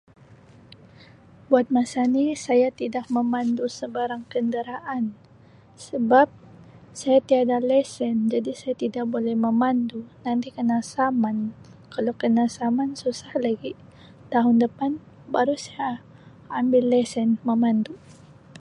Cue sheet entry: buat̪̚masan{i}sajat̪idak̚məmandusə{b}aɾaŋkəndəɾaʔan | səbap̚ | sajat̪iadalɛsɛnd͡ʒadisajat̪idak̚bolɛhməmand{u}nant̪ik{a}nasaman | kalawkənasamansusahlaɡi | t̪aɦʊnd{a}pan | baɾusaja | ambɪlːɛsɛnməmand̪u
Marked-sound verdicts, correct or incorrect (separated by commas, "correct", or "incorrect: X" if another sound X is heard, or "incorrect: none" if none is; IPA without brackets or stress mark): correct, correct, correct, incorrect: ə, incorrect: ə